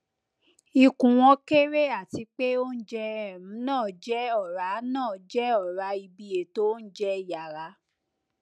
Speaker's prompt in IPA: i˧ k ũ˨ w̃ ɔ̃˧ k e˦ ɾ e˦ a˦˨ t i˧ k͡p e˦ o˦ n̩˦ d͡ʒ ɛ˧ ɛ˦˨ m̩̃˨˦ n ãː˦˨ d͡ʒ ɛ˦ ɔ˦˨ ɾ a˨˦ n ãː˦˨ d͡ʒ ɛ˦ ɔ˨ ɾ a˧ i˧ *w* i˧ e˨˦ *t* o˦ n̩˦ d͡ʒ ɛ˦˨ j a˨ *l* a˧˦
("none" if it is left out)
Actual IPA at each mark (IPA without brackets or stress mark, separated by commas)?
b, t, ɾ